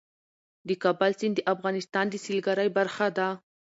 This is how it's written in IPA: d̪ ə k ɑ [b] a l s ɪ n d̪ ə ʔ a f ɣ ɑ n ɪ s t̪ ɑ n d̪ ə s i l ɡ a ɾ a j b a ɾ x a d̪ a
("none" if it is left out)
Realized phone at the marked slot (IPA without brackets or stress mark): b